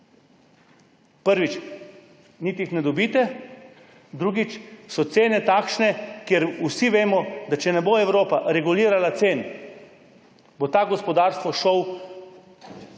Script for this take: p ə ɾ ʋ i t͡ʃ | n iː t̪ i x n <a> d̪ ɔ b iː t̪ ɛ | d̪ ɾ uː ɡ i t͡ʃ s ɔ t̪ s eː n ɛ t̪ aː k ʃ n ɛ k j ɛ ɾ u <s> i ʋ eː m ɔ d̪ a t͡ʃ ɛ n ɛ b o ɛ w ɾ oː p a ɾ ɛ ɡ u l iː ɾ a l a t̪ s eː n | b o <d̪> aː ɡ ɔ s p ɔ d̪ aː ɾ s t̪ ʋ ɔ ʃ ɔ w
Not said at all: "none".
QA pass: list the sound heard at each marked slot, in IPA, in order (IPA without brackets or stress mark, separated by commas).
ɛ, s, t̪